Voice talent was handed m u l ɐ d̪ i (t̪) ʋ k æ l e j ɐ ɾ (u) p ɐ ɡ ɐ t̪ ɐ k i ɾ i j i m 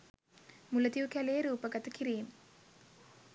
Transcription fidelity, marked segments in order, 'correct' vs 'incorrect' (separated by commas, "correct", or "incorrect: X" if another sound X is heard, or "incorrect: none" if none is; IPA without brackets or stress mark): incorrect: none, incorrect: uː